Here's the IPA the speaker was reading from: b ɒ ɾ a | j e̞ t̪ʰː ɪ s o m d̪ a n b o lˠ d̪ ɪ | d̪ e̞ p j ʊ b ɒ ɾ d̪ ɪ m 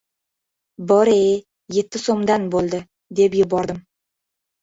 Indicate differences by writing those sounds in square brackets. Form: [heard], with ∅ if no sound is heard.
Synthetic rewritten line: b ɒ ɾ [e] | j e̞ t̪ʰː ɪ s o m d̪ a n b o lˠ d̪ ɪ | d̪ e̞ p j ʊ b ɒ ɾ d̪ ɪ m